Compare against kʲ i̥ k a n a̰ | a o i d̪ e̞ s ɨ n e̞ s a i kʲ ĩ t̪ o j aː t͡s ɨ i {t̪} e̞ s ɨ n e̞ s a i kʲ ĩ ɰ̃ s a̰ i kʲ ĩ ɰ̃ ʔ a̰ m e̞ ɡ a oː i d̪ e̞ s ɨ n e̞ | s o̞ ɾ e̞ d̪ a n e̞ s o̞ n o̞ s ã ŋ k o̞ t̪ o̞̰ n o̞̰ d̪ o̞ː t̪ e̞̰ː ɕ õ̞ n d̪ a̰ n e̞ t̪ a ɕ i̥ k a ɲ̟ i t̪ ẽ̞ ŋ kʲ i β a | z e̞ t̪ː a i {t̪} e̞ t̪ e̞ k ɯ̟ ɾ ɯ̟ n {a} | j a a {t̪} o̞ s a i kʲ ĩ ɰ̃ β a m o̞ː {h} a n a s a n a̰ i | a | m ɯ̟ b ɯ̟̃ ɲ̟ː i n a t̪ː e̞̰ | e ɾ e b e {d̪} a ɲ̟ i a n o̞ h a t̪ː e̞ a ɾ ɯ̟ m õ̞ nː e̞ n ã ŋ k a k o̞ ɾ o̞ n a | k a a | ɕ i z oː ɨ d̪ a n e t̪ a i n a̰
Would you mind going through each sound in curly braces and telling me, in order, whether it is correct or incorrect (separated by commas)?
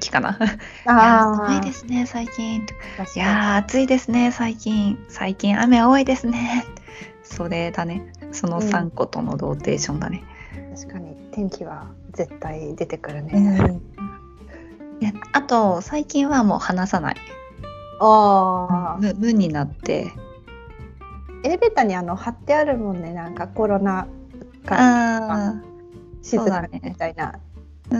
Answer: incorrect, incorrect, incorrect, correct, correct, incorrect